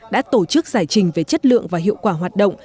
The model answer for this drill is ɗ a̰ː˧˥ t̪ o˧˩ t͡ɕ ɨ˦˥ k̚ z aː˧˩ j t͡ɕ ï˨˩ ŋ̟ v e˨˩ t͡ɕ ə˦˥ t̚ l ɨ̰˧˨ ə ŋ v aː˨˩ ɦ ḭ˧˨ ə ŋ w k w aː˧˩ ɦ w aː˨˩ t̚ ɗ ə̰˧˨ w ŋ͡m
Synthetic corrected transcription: ɗ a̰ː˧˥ t̪ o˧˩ t͡ɕ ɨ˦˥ k̚ z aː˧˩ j t͡ɕ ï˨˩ ŋ̟ v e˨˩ t͡ɕ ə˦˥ t̚ l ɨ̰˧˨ ə ŋ v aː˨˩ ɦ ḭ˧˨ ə w k w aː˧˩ ɦ w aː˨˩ t̚ ɗ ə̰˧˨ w ŋ͡m